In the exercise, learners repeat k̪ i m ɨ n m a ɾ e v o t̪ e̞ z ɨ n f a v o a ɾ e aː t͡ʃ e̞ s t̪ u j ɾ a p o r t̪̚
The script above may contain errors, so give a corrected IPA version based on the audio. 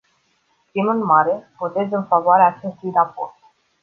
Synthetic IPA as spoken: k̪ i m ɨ n m a ɾ e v o t̪ e̞ z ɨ n f a v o a ɾ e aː t͡ʃ e̞ s t̪ u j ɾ a p o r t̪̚